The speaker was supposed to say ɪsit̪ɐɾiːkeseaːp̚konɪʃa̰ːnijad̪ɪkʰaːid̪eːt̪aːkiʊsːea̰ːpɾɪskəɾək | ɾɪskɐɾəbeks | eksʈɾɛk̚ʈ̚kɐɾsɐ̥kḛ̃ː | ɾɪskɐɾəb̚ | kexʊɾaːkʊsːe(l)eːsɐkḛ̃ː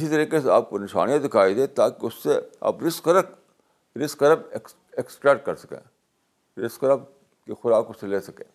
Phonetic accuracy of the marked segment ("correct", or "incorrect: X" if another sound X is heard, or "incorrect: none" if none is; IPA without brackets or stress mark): correct